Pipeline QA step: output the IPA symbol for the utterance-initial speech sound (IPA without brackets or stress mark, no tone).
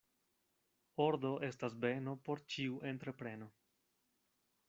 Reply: o